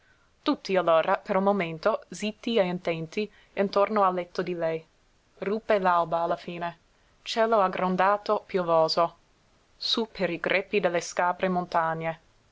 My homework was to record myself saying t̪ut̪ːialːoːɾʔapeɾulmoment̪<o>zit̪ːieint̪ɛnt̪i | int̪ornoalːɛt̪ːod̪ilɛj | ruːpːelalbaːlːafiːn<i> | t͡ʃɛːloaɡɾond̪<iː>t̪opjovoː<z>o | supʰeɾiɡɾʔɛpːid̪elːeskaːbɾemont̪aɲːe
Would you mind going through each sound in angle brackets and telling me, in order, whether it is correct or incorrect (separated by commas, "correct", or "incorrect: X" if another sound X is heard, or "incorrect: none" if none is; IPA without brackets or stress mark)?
correct, incorrect: e, incorrect: aː, correct